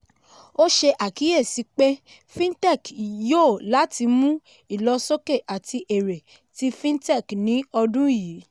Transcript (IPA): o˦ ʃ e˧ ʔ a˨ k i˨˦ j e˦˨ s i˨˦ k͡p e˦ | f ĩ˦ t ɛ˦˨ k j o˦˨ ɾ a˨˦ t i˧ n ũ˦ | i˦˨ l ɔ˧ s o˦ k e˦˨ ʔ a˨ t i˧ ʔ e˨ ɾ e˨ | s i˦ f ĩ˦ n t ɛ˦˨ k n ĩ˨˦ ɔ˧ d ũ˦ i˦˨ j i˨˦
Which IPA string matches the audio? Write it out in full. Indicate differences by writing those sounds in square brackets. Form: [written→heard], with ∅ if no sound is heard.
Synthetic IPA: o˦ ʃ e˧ ʔ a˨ k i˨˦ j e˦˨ s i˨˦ k͡p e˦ | f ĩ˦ t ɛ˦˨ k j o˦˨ [ɾ→l] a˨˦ t i˧ [n→m] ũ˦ | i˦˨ l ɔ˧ s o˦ k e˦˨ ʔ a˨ t i˧ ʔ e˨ ɾ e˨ | [s→t] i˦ f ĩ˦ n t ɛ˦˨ k n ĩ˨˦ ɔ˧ d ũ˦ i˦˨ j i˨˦